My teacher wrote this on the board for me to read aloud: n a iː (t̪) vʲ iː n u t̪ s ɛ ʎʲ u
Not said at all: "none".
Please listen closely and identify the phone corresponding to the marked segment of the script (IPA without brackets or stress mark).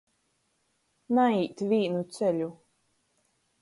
t̪